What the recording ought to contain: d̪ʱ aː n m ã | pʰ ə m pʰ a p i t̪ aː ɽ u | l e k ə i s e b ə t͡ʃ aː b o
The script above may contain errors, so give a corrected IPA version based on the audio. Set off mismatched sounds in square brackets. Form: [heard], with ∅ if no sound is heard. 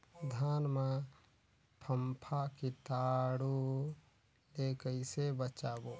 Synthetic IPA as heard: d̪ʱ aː n m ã | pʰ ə m pʰ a [k] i t̪ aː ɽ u | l e k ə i s e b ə t͡ʃ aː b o

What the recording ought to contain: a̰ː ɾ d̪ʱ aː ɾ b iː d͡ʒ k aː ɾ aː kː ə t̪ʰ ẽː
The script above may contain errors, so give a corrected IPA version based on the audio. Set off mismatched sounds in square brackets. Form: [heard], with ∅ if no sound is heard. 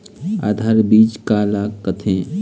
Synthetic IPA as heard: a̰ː [∅] d̪ʱ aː ɾ b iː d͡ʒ k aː [l] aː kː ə t̪ʰ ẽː

